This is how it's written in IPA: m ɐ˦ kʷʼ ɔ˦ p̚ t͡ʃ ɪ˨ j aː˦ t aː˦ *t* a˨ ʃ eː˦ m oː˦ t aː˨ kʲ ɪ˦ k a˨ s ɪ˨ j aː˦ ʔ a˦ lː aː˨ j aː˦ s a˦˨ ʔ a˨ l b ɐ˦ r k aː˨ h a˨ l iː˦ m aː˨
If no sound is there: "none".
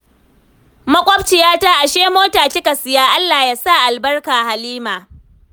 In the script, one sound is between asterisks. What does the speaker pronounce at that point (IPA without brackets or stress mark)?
ʔ